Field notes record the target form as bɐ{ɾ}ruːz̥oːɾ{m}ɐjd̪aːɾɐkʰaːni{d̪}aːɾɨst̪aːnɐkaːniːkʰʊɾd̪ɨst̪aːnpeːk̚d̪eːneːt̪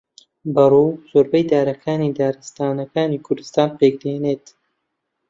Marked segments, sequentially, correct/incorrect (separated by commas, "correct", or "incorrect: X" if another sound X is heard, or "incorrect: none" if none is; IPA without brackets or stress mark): incorrect: none, incorrect: b, correct